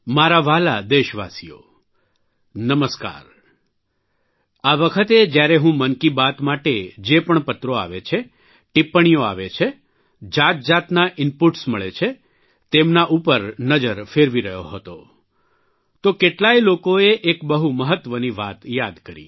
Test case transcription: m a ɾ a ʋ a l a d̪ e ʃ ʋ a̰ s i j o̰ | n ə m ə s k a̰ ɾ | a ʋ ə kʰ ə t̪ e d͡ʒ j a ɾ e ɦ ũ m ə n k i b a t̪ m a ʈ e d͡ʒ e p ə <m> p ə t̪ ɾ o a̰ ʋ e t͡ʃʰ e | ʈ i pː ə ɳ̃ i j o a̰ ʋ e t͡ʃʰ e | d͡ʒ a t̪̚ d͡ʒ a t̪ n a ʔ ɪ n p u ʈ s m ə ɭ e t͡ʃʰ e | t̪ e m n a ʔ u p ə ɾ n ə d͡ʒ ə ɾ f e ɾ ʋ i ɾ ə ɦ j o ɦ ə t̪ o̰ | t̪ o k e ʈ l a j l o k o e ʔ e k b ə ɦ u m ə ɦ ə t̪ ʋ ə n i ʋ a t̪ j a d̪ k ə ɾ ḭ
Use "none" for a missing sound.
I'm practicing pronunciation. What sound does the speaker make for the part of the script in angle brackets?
ɳ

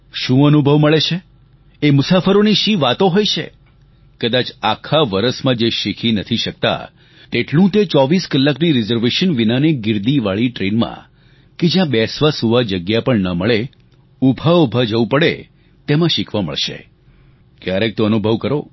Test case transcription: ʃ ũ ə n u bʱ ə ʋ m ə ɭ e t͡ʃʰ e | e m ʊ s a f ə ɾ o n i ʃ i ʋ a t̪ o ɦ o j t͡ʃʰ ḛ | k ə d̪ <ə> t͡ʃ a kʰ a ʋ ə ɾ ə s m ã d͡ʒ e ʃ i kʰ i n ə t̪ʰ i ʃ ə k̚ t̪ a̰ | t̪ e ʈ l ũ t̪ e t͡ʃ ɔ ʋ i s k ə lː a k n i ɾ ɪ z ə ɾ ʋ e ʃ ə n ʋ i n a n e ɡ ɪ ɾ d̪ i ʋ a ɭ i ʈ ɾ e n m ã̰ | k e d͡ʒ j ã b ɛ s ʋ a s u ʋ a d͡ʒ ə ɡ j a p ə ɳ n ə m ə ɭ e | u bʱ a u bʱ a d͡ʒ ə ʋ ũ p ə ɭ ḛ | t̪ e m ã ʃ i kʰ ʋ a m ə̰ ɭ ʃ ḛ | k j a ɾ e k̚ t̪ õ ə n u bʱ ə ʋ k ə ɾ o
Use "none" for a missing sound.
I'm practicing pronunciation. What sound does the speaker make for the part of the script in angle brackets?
a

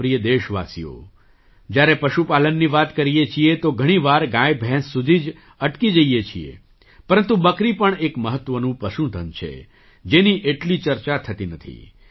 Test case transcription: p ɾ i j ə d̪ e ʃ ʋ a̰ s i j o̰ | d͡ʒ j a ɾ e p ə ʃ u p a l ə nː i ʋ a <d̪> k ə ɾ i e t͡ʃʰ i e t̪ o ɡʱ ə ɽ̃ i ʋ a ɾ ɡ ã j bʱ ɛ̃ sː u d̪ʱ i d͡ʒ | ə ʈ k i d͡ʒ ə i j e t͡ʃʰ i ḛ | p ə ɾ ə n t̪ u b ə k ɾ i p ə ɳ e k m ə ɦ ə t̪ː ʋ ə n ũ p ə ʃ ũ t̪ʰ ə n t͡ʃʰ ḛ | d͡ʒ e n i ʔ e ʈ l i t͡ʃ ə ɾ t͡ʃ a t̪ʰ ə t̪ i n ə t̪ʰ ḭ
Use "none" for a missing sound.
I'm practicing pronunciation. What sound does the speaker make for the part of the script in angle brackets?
t̪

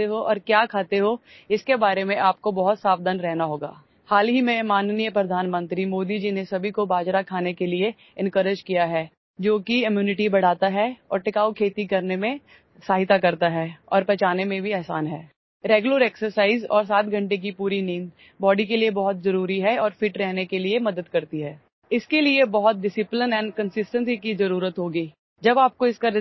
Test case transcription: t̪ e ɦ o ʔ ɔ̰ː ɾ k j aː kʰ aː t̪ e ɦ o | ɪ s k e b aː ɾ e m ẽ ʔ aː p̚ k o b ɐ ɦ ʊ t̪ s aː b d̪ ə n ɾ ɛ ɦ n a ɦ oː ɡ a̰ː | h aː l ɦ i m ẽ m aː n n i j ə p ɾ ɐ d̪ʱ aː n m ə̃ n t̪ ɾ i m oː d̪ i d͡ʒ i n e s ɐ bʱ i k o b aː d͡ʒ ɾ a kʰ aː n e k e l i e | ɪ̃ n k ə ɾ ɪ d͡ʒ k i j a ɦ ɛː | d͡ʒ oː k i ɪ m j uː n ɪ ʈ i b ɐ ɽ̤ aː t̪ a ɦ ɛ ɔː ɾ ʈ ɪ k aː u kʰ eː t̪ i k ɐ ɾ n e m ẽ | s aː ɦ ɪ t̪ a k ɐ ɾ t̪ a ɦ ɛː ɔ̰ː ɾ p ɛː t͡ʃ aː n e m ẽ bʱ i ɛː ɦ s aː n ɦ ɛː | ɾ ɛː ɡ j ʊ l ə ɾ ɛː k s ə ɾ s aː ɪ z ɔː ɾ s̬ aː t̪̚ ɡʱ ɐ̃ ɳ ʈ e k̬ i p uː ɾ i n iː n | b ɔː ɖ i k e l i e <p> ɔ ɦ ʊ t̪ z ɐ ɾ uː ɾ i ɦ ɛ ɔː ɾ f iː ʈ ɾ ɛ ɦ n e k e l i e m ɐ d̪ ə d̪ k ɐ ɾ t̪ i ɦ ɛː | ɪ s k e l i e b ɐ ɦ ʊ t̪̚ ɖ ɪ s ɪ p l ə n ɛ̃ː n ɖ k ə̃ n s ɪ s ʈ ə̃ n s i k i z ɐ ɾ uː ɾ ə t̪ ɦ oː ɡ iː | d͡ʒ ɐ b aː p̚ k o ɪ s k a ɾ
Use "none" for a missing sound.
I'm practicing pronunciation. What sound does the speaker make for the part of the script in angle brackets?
b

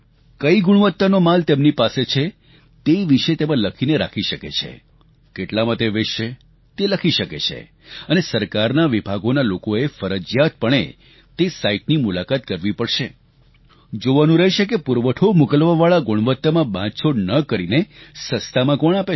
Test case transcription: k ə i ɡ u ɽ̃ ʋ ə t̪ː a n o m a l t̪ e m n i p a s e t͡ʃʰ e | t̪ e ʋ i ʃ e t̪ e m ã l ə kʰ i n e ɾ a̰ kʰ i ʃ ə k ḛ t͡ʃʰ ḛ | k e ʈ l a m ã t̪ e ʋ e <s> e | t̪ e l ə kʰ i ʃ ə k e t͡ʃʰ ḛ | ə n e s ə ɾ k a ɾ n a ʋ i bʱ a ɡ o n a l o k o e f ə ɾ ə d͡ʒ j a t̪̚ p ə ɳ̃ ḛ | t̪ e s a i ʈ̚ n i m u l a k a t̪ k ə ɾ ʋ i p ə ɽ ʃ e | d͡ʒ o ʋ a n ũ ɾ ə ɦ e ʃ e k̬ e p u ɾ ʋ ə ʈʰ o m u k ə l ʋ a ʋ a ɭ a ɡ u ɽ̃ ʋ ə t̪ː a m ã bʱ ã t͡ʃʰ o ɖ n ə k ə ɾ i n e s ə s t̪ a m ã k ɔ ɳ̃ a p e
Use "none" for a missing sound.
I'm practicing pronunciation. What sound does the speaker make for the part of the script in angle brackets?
ʃ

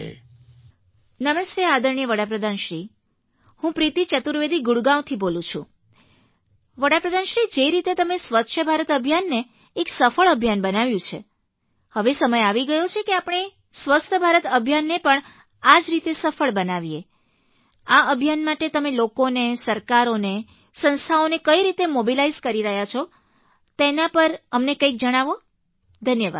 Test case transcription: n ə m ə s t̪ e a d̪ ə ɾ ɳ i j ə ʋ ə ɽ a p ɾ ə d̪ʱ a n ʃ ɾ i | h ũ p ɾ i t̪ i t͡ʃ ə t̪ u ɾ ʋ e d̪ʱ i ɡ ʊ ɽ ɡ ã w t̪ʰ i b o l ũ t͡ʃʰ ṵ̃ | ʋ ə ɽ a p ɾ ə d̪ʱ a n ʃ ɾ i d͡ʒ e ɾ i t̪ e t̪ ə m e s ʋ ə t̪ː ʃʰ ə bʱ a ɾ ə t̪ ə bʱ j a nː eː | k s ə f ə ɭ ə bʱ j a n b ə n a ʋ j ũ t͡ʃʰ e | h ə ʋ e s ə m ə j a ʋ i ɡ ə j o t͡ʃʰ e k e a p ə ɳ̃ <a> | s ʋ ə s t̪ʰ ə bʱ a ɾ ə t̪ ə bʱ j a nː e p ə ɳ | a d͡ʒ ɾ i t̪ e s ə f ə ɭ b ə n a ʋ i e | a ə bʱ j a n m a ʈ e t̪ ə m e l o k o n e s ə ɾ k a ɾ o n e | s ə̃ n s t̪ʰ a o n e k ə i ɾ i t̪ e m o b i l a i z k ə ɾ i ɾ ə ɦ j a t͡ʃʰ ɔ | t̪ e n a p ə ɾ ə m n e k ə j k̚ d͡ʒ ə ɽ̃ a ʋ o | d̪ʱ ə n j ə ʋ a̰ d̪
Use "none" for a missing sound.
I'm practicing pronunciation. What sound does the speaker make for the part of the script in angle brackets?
e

